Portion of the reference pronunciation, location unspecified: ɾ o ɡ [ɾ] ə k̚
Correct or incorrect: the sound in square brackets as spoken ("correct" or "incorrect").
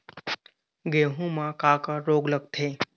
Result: incorrect